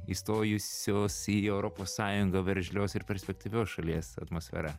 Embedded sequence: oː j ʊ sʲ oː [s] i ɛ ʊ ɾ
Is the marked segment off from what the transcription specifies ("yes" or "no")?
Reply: no